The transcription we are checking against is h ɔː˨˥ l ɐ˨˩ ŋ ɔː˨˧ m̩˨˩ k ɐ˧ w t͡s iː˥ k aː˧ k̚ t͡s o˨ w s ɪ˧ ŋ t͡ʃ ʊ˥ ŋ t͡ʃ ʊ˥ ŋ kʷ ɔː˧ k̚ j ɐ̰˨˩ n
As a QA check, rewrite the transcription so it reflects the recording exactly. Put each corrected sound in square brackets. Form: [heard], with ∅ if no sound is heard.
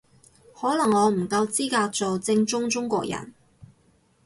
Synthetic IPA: h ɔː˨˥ l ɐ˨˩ ŋ ɔː˨˧ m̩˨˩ k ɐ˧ w t͡s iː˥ k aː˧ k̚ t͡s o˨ w [t͡s] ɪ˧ ŋ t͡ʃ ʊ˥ ŋ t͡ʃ ʊ˥ ŋ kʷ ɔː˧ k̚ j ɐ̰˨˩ n